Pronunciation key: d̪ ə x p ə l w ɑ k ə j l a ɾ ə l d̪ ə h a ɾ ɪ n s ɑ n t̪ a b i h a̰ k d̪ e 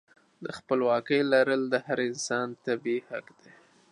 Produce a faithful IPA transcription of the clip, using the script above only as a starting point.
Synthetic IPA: d̪ ə x p ə l w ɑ k ə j l a ɾ ə l d̪ ə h a ɾ ɪ n s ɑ n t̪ a b i h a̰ k d̪ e